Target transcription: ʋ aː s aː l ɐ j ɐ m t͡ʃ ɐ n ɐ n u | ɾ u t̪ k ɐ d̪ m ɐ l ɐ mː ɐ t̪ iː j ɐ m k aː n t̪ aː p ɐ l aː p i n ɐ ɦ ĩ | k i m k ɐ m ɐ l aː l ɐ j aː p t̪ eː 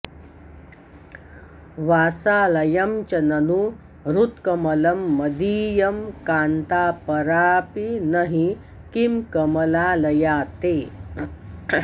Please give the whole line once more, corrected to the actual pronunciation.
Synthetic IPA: ʋ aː s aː l ɐ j ɐ m t͡ʃ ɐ n ɐ n u | ɾ u t̪ k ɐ m ɐ l ɐ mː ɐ d̪ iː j ɐ m k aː n t̪ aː p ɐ ɾ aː p i n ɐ ɦ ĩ | k i m k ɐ m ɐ l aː l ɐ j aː t̪ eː

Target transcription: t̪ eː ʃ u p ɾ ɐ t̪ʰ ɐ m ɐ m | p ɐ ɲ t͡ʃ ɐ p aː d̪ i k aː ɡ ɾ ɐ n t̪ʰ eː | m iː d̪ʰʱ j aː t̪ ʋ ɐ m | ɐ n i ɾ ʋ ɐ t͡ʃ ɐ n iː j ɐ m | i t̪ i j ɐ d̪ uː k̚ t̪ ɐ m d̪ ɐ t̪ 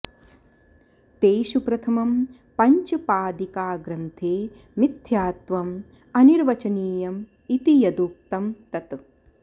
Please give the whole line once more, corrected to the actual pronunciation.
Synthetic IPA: t̪ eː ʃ u p ɾ ɐ t̪ʰ ɐ m ɐ m | p ɐ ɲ t͡ʃ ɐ p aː d̪ i k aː ɡ ɾ ɐ n t̪ʰ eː | m i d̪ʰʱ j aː t̪ ʋ ɐ m | ɐ n i ɾ ʋ ɐ t͡ʃ ɐ n iː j ɐ m | i t̪ i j ɐ d̪ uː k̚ t̪ ɐ m t̪ ɐ t̪

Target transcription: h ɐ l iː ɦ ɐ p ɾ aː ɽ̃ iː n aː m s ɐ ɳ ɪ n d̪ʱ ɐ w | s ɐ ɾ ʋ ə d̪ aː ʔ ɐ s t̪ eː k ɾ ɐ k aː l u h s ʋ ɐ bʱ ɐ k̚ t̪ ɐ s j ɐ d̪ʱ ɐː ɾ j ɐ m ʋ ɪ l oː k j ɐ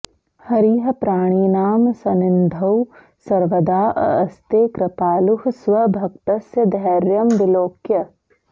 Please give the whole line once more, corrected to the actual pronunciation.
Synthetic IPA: h ɐ ɾ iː ɦ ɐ p ɾ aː ɽ̃ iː n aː m s ɐ n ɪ n d̪ʱ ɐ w | s ɐ ɾ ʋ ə d̪ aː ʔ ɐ s t̪ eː k ɾ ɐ p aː l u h s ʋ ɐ bʱ ɐ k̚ t̪ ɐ s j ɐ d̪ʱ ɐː ɾ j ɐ m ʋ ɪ l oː k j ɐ

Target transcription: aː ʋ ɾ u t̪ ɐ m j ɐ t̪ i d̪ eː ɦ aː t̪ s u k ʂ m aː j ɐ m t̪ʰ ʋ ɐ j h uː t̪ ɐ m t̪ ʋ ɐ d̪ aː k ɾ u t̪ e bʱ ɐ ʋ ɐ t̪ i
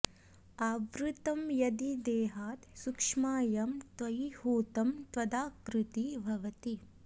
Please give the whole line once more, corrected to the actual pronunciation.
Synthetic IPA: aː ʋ ɾ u t̪ ɐ m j ɐ d̪ i d̪ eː ɦ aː t̪ s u k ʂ m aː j ɐ m t̪ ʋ ɐ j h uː t̪ ɐ m t̪ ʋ ɐ d̪ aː k ɾ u t̪ i bʱ ɐ ʋ ɐ t̪ i

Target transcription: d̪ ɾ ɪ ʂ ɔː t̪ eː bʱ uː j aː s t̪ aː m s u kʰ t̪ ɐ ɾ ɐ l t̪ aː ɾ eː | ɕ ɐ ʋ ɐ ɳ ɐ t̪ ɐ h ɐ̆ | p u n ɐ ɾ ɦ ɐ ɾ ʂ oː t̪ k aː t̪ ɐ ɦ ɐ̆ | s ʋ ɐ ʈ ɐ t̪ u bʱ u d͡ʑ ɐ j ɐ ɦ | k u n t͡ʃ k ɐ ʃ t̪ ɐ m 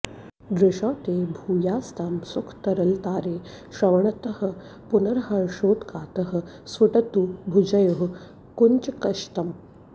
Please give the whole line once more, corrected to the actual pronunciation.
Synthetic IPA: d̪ ɾ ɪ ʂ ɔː t̪ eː bʱ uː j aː s t̪ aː m s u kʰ t̪ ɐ ɾ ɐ l t̪ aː ɾ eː | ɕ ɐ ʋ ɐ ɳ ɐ t̪ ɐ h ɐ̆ | p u n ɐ ɾ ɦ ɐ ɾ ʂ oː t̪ k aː t̪ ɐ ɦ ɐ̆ | s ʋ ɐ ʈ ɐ t̪ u bʱ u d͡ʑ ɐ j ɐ ɦ | k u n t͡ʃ k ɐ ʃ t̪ ɐ m

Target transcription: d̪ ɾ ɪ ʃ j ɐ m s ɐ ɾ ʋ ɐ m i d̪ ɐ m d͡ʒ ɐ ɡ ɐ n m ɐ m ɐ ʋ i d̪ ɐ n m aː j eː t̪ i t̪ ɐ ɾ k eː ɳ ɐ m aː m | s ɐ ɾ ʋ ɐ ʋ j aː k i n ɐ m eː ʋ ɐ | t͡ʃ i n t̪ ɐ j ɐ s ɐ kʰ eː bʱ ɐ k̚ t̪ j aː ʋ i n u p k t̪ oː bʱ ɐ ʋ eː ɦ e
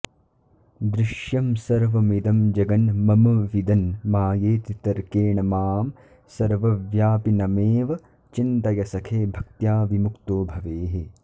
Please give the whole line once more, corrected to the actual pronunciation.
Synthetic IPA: d̪ ɾ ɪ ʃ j ɐ m s ɐ ɾ ʋ ɐ m i d̪ ɐ m d͡ʒ ɐ ɡ ɐ n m ɐ m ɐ ʋ i d̪ ɐ n m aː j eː t̪ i t̪ ɐ ɾ k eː ɳ ɐ m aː m | s ɐ ɾ ʋ ɐ ʋ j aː p i n ɐ m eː ʋ ɐ | t͡ʃ i n t̪ ɐ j ɐ s ɐ kʰ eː bʱ ɐ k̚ t̪ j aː ʋ i m u k t̪ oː bʱ ɐ ʋ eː ɦ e

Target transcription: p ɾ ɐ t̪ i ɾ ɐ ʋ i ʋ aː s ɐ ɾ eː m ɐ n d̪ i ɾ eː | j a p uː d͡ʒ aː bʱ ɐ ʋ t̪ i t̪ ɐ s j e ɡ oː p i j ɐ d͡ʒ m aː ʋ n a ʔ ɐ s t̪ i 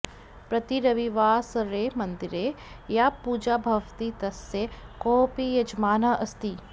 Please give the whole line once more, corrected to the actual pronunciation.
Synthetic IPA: p ɾ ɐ t̪ i ɾ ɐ ʋ i ʋ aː s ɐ ɾ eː m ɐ n d̪ i ɾ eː | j a p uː d͡ʒ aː bʱ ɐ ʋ t̪ i t̪ ɐ s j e k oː p i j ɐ d͡ʒ m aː n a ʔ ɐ s t̪ i

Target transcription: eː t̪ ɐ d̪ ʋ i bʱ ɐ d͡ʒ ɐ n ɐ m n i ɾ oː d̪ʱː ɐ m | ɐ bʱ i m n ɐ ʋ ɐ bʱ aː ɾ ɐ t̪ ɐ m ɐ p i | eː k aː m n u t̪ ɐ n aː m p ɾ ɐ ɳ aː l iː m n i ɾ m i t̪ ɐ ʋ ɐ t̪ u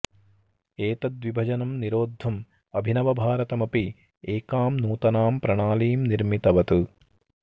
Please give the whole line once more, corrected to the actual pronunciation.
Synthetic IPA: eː t̪ ɐ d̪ ʋ i bʱ ɐ d͡ʒ ɐ n ɐ m n i ɾ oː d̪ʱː ɐ m | ɐ bʱ i n ɐ ʋ ɐ bʱ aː ɾ ɐ t̪ ɐ m ɐ p i | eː k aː m n uː t̪ ɐ n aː m p ɾ ɐ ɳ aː l iː m n i ɾ m i t̪ ɐ ʋ ɐ t̪ u

